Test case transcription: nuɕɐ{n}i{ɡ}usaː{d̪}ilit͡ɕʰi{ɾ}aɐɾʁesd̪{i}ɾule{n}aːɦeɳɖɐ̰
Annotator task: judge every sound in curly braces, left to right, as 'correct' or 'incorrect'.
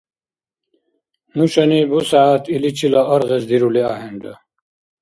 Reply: correct, incorrect: b, incorrect: t̪, incorrect: l, correct, incorrect: none

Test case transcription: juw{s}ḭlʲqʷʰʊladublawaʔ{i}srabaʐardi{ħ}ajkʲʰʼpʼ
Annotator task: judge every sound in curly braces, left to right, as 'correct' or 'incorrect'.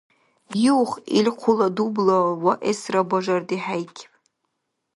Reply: incorrect: χ, incorrect: e, correct

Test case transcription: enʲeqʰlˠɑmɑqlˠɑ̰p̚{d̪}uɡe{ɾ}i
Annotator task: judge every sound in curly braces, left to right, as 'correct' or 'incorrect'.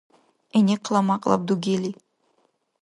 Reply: correct, incorrect: l

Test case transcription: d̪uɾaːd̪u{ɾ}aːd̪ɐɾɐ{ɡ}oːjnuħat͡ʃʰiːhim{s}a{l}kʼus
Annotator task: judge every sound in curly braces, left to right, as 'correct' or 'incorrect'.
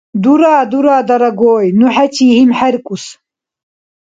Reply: correct, correct, incorrect: ħ, incorrect: ɾ

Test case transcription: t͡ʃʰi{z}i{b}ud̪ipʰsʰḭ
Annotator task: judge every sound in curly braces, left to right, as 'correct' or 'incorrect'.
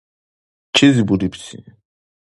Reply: correct, correct

